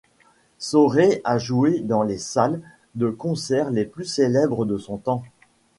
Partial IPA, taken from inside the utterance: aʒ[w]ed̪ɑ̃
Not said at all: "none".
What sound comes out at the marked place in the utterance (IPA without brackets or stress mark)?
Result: u